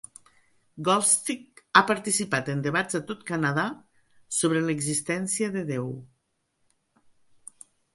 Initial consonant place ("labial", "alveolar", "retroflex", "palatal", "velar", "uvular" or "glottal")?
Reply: velar